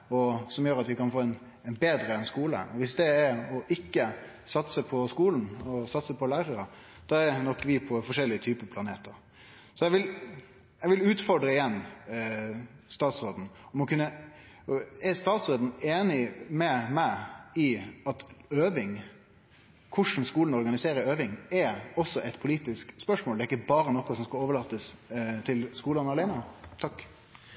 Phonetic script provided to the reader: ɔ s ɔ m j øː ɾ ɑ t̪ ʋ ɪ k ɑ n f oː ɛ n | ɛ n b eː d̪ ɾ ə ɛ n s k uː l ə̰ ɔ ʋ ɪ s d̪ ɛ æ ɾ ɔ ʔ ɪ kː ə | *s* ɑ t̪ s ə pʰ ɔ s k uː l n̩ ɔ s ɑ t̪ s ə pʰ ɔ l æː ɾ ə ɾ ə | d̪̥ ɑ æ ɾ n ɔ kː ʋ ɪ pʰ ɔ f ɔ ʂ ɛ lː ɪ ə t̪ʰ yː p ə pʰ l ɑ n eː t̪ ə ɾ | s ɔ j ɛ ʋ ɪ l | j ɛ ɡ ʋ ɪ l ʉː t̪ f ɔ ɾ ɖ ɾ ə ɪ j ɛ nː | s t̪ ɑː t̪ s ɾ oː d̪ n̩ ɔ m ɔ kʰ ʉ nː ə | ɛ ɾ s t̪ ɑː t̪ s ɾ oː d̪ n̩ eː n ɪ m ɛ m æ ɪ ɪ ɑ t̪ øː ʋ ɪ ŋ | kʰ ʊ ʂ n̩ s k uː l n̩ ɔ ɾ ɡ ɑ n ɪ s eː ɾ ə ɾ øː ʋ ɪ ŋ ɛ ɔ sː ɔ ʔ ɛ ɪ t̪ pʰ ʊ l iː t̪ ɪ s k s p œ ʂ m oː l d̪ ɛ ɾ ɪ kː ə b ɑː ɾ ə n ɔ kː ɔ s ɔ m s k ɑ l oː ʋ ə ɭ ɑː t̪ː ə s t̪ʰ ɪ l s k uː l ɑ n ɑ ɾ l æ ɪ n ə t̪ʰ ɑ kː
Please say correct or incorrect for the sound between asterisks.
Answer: correct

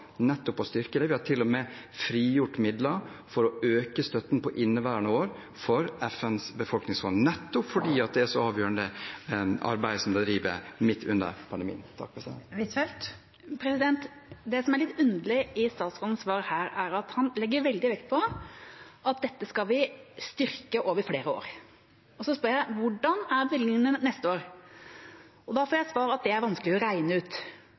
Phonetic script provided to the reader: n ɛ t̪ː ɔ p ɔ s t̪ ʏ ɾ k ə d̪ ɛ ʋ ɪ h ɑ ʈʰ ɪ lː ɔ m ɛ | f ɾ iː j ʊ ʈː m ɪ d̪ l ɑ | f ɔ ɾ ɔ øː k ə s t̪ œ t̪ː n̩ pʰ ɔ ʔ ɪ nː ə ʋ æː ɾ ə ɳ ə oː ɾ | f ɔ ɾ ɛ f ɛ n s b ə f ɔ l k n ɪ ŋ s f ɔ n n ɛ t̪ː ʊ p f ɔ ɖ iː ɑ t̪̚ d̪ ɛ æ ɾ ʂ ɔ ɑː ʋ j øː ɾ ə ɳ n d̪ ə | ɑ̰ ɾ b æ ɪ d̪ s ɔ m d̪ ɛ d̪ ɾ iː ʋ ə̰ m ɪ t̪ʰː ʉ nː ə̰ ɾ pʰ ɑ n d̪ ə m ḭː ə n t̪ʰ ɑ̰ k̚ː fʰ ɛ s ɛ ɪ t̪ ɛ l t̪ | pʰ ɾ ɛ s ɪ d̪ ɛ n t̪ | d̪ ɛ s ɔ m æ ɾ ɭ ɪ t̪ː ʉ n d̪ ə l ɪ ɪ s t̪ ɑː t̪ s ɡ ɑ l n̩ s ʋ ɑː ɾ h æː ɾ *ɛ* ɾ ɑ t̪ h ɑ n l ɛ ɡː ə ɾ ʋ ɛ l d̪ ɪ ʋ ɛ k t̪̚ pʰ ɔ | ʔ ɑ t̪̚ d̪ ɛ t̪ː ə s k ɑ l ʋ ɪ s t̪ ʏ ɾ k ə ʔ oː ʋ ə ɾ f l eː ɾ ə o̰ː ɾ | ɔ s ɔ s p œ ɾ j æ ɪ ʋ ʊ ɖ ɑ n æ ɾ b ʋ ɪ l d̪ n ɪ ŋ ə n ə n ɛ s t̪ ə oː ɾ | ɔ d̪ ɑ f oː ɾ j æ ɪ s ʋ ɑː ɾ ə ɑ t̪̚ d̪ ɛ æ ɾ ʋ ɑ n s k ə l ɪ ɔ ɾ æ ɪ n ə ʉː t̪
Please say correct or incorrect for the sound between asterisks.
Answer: incorrect: æ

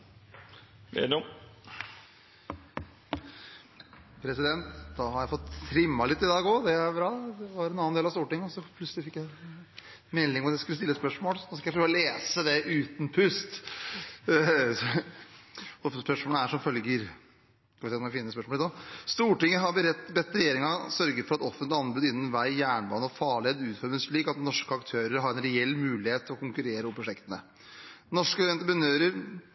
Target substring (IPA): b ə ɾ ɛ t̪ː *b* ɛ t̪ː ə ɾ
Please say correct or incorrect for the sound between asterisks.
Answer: correct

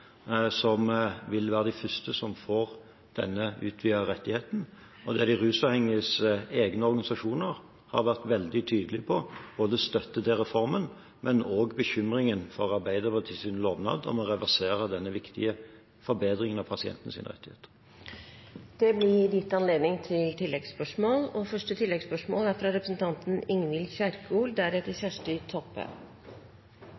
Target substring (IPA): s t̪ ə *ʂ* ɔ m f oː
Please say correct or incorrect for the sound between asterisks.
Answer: incorrect: s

